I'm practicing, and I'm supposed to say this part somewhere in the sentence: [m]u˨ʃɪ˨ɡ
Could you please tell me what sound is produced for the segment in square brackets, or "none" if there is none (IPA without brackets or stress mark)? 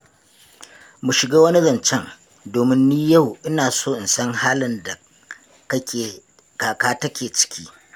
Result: m